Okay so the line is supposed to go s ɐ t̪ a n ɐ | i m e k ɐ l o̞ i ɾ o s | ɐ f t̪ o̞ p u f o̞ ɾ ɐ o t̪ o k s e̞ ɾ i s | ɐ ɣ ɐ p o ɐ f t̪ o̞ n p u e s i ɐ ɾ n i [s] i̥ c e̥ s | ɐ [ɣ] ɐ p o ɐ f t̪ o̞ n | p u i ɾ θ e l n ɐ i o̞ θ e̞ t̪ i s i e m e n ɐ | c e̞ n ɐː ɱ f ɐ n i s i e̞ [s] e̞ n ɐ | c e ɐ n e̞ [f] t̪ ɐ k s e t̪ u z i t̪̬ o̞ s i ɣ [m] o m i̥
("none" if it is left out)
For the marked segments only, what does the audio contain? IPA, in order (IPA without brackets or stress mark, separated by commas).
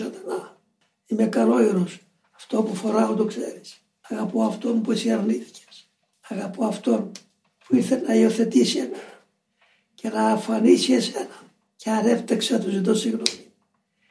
θ, ɣ, s, f, n